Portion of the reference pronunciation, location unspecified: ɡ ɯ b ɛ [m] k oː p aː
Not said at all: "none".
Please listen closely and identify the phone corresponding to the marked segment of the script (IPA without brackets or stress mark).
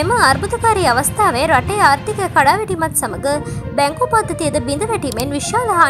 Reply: ŋ